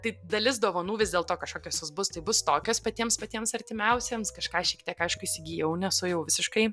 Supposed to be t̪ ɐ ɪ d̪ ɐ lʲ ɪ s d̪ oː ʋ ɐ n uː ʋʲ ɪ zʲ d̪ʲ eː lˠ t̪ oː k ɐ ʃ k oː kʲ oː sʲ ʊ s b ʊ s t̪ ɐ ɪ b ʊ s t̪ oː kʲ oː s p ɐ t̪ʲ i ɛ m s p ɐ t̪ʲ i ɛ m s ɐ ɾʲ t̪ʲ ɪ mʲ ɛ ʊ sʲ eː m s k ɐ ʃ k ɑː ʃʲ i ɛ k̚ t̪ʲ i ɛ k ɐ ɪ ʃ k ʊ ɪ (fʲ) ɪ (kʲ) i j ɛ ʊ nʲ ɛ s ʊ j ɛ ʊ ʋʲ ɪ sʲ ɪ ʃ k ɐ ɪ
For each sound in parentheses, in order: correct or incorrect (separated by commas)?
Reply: incorrect, incorrect